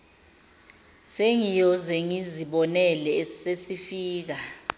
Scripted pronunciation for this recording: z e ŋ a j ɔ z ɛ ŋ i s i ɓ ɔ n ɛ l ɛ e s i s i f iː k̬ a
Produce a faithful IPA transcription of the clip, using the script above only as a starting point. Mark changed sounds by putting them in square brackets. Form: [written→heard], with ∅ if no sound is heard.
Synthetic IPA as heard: [z→s] e ŋ [a→i] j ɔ z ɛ ŋ i [s→z] i ɓ ɔ n ɛ l ɛ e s [i→e] s i f iː k̬ a